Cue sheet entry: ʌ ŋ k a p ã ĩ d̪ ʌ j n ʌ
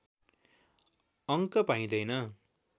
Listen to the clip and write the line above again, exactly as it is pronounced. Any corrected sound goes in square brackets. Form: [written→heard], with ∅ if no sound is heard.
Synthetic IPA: ʌ ŋ k [a→ʌ] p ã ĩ d̪ ʌ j n ʌ